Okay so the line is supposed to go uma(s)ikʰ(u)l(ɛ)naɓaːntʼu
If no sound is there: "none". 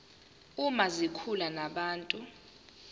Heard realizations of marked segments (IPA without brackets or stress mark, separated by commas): z, u, a